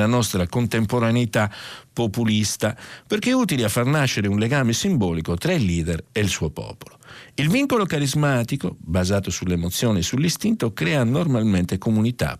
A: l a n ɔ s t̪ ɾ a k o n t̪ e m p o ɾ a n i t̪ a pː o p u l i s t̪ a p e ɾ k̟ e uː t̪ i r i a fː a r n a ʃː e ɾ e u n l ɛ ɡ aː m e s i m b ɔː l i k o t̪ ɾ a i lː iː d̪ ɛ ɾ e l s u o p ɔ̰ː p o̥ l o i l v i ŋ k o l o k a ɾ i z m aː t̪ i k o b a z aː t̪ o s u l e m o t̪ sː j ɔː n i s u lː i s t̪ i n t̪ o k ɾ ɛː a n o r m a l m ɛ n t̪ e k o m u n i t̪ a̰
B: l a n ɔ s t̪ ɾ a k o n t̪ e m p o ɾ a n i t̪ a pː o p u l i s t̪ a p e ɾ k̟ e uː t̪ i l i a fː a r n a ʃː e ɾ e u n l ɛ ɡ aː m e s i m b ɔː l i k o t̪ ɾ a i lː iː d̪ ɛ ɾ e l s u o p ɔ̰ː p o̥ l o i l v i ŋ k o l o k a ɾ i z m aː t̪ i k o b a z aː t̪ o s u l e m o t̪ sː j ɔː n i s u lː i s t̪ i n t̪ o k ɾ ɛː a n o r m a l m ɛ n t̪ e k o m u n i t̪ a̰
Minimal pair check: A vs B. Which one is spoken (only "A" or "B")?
B